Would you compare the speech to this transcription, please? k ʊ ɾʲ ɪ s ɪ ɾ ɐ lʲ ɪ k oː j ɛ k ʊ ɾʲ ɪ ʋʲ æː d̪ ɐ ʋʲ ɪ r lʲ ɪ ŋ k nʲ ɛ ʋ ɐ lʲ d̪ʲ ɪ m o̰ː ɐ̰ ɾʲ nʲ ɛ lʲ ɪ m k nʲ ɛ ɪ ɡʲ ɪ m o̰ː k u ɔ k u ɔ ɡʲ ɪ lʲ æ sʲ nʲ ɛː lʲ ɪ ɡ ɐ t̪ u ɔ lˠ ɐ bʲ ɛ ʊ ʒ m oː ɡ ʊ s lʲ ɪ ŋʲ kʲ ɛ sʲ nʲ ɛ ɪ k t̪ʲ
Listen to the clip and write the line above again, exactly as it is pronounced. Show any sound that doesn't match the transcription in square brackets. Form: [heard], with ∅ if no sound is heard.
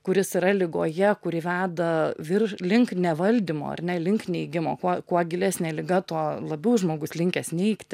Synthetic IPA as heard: k ʊ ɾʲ ɪ s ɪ ɾ ɐ lʲ ɪ [ɡ] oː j ɛ k ʊ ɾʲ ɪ ʋʲ æː d̪ ɐ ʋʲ ɪ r lʲ ɪ ŋ k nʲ ɛ ʋ ɐ lʲ d̪ʲ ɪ m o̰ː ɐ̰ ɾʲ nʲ ɛ lʲ ɪ [ŋ] k nʲ ɛ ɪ ɡʲ ɪ m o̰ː k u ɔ k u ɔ ɡʲ ɪ lʲ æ sʲ nʲ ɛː lʲ ɪ ɡ ɐ t̪ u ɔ lˠ ɐ bʲ ɛ ʊ ʒ m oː ɡ ʊ s lʲ ɪ ŋʲ kʲ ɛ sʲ nʲ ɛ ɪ k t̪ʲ